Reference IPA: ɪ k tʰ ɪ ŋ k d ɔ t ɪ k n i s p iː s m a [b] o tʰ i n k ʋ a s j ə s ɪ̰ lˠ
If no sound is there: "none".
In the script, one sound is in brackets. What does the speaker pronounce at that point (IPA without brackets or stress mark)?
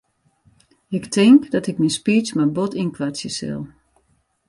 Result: b